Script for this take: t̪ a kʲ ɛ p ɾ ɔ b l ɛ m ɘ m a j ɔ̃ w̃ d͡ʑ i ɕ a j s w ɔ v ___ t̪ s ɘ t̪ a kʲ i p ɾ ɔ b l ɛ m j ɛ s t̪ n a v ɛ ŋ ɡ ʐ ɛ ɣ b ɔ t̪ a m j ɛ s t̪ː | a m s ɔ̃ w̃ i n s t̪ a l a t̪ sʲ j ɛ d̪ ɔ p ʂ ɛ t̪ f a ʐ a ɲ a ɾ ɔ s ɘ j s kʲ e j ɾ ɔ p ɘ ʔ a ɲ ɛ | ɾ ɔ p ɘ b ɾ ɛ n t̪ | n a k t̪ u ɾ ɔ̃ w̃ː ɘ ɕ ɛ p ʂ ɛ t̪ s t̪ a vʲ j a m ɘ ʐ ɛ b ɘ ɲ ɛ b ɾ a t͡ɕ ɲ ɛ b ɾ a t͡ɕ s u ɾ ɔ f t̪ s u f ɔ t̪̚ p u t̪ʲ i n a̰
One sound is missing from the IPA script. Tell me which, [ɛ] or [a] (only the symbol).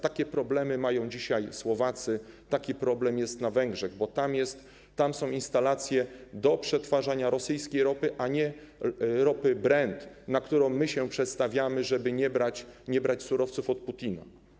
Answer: a